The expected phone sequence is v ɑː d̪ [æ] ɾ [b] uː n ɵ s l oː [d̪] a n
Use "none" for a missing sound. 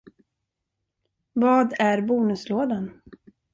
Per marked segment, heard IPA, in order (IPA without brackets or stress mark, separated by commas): æ, b, d̪